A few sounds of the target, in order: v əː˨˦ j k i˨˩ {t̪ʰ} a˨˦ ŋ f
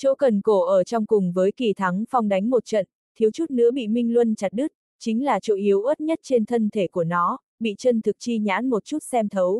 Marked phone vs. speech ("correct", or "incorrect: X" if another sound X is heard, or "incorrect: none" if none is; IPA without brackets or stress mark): correct